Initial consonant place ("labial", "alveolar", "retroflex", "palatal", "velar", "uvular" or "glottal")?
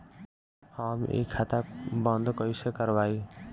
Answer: glottal